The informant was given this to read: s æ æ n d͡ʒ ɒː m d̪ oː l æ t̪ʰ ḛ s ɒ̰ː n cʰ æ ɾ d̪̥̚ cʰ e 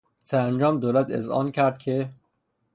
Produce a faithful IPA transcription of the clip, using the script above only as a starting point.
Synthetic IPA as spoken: s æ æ n d͡ʒ ɒː m d̪ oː l æ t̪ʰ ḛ z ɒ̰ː n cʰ æ ɾ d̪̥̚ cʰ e